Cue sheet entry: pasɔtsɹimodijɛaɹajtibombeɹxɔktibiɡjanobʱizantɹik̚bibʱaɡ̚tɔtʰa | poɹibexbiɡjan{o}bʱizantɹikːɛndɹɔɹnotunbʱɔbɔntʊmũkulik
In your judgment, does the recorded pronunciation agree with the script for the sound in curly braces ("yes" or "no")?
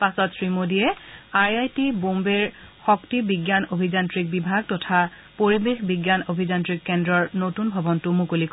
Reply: yes